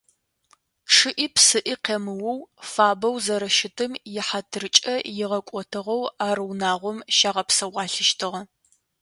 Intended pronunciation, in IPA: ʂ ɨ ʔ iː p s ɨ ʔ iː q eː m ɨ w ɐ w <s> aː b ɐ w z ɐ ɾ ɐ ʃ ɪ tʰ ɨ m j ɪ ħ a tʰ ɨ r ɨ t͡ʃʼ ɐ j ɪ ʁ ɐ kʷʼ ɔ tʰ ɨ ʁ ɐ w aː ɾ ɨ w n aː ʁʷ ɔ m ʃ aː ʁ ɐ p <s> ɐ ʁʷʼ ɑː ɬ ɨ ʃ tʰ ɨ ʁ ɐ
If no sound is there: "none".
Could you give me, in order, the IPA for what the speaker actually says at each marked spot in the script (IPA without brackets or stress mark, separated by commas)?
f, s